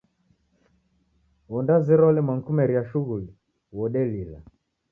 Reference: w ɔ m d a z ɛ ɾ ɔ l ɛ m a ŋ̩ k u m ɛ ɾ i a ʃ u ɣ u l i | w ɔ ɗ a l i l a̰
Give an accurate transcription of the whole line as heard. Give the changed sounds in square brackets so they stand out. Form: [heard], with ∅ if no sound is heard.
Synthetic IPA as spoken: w ɔ [n] d a z ɛ ɾ ɔ l ɛ m a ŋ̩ k u m ɛ ɾ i a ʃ u ɣ u l i | w ɔ ɗ [ɛ] l i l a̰